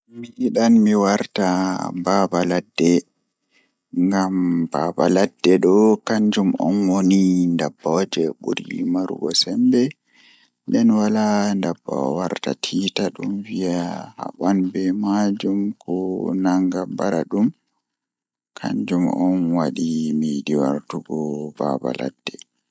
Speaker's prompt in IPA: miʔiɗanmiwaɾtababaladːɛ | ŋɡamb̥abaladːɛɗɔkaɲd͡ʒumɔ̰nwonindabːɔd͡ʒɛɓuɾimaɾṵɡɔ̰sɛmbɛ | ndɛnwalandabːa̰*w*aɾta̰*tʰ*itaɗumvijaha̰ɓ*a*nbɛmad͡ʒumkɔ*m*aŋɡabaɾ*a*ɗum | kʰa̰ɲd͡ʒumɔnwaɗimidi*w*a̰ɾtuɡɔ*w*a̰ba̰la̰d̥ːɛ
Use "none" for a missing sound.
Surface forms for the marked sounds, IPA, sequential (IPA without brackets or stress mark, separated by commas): w, tʰ, a, n, a, w, b